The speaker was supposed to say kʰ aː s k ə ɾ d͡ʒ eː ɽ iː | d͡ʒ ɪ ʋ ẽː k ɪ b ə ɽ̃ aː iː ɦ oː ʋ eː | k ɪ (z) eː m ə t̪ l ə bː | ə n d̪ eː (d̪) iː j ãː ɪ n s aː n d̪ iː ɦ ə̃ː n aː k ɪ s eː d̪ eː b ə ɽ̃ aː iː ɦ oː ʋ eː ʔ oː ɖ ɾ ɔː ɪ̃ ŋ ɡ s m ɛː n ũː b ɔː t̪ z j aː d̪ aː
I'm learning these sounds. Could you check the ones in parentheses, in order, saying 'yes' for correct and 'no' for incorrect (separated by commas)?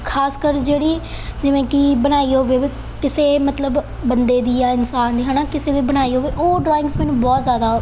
no, yes